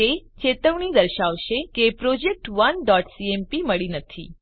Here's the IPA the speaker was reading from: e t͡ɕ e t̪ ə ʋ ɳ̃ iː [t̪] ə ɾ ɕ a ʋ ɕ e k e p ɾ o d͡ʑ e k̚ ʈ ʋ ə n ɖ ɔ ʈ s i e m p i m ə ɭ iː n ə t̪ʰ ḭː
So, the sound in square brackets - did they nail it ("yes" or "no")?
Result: no